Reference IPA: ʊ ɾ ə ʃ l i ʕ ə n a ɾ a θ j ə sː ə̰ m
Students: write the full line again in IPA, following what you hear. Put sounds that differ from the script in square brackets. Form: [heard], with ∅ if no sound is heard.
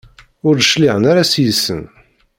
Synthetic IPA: ʊ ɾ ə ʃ l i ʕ ə n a ɾ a [s] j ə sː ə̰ [n]